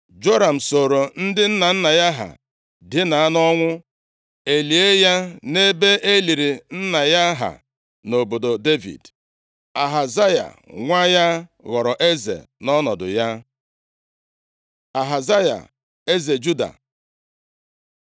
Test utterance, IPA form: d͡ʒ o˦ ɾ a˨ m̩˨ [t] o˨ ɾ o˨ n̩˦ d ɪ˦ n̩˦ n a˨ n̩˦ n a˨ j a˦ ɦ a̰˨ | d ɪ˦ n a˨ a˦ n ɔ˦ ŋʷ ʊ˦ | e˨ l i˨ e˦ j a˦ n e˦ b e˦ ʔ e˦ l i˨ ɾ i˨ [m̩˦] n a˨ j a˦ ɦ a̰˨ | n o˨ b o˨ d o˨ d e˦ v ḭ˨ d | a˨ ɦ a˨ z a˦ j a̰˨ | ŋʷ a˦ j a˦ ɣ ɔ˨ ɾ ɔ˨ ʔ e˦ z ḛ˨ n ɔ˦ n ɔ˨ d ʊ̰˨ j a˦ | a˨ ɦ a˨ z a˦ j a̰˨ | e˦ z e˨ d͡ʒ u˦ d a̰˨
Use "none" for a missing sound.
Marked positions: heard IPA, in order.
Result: s, n̩˦

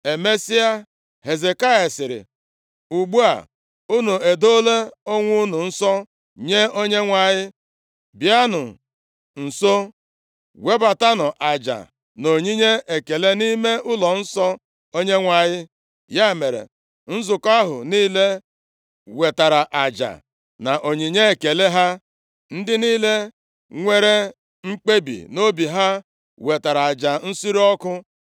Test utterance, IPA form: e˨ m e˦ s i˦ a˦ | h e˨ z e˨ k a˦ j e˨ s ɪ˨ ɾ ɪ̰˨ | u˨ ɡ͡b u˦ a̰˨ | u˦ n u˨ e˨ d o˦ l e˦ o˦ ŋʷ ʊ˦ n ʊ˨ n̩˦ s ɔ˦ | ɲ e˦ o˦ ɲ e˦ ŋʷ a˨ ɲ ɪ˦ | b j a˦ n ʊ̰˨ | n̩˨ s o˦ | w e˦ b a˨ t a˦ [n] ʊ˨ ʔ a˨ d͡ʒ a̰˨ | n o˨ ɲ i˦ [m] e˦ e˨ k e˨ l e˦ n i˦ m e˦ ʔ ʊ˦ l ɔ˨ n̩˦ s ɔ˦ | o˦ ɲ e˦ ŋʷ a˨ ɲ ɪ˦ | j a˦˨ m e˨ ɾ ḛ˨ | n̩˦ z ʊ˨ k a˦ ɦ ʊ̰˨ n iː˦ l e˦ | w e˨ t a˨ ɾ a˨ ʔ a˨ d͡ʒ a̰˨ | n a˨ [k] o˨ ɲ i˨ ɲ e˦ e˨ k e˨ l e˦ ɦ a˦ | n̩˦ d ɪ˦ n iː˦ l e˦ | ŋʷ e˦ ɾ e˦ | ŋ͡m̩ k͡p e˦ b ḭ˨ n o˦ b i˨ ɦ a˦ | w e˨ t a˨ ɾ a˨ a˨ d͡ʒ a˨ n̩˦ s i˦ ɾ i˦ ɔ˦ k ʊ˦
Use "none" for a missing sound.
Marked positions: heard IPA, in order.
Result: n, ɲ, ʔ

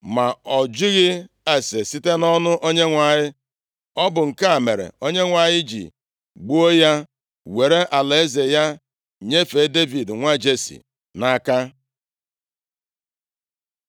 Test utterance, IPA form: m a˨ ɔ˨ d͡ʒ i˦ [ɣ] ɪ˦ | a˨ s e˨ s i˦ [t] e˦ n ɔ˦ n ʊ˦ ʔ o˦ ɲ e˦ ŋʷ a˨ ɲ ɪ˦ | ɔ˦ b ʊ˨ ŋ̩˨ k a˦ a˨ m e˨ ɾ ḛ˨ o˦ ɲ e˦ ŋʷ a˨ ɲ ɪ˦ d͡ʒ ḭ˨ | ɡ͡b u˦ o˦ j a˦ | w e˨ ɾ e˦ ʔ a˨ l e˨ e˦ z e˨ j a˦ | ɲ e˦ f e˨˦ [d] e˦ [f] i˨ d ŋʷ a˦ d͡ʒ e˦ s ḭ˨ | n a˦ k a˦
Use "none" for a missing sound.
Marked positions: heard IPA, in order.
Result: ɣ, t, d, v

